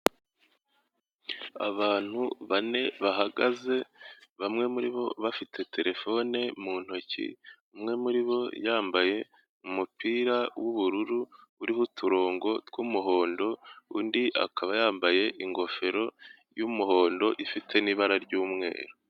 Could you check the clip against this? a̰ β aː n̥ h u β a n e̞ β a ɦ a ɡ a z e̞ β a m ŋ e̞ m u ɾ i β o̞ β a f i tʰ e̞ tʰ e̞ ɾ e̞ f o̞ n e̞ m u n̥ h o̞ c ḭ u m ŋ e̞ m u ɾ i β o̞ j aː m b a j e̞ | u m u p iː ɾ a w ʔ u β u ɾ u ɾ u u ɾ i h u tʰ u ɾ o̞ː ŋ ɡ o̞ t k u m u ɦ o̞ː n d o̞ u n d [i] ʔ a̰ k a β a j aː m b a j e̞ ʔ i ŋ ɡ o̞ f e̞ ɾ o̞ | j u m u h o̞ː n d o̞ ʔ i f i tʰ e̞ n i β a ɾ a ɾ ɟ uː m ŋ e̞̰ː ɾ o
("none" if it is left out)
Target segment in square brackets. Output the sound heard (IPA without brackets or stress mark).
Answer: i